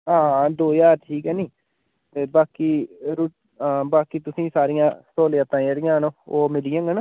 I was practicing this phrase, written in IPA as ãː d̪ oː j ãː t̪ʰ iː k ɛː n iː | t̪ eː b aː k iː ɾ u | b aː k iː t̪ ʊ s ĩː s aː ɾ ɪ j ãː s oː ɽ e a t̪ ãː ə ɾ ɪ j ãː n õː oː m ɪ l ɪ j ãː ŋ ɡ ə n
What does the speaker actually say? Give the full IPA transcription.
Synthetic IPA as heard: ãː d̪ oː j aː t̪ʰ iː k ɛː n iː | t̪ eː b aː k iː ɾ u | b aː k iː t̪ ʊ s ĩː s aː ɾ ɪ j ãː s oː l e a t̪ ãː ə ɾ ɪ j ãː n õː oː m ɪ l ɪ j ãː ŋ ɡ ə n